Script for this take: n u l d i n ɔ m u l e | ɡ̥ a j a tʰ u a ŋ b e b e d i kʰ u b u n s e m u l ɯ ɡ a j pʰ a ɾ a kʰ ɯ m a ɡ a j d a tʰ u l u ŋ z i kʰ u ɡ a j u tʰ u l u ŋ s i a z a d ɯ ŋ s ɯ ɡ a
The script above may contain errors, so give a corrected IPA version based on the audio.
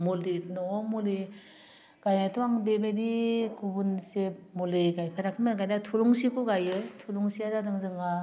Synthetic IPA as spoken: m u l d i n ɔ m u l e | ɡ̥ a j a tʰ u a ŋ b e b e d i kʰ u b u n s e m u l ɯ ɡ a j pʰ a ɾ a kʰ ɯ m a ɡ a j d a tʰ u l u ŋ s i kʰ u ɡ a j ɯ tʰ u l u ŋ s i a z a d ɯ ŋ z ɯ ŋ a